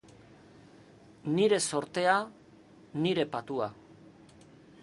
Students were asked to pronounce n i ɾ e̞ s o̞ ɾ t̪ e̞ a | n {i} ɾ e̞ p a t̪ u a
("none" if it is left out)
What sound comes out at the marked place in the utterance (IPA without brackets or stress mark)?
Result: i